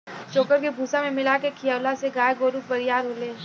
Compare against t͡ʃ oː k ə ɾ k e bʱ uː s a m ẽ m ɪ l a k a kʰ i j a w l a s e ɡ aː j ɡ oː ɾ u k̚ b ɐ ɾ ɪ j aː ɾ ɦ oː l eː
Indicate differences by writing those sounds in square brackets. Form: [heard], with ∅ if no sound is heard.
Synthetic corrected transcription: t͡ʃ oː k ə ɾ k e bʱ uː s a m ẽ m ɪ l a k [e] kʰ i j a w l a s e ɡ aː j ɡ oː ɾ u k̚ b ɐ ɾ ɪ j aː ɾ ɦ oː l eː